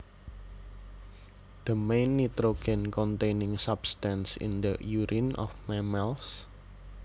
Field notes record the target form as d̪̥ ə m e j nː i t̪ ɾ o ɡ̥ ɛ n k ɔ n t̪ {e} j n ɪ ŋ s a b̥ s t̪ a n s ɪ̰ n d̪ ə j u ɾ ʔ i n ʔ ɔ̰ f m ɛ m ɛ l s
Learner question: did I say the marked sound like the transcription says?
yes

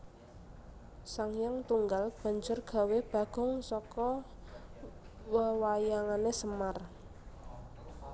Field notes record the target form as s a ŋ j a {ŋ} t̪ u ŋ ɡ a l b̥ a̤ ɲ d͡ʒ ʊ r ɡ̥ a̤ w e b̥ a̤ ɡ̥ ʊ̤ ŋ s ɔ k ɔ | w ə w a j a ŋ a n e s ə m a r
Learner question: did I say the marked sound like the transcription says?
yes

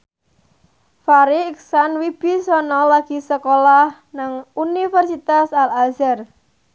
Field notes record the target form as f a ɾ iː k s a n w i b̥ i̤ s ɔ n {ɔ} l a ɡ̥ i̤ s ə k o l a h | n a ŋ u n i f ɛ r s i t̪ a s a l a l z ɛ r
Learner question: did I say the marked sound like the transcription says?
yes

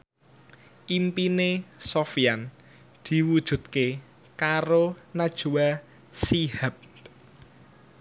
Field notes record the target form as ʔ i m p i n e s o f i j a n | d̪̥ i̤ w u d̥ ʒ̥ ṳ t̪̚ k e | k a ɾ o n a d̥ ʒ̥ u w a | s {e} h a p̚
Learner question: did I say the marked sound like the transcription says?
no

